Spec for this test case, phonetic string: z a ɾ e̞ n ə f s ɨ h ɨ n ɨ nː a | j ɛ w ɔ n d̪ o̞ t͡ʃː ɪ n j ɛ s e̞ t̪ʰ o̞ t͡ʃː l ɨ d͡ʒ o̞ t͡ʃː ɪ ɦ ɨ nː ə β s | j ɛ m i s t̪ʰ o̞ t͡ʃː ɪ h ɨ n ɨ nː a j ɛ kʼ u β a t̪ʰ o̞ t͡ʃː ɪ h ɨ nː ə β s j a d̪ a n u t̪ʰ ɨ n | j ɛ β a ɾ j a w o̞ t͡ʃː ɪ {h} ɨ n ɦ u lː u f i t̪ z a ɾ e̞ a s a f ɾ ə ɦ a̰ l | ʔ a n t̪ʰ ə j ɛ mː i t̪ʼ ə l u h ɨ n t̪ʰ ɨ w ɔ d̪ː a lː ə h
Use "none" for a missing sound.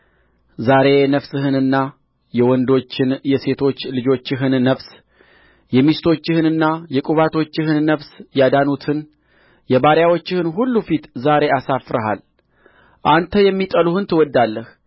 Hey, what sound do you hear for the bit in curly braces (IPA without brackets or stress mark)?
h